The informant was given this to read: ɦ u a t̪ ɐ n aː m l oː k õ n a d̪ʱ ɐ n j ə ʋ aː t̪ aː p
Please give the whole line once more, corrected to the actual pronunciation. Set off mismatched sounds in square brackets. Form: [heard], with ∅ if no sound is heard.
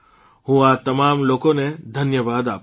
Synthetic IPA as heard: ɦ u a t̪ ɐ [m] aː m l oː k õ n [e] d̪ʱ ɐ n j ə ʋ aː [d̪] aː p